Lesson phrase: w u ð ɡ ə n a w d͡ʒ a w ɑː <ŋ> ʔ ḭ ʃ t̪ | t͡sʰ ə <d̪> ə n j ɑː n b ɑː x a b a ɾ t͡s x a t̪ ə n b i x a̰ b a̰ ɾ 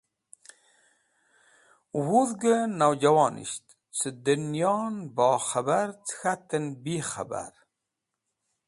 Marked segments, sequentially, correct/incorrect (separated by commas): incorrect, correct